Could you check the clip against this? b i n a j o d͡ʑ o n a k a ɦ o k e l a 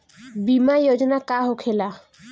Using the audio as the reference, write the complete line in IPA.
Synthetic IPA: b i m a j o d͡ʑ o n a k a ɦ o kʰ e l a